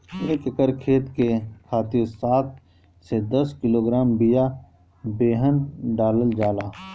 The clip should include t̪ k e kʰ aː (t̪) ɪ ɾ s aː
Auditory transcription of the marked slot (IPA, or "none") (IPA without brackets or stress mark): t̪